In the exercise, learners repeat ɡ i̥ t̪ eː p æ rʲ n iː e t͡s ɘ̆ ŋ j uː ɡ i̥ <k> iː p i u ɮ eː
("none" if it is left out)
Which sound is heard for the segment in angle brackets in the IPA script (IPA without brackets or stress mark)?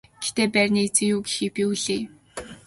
x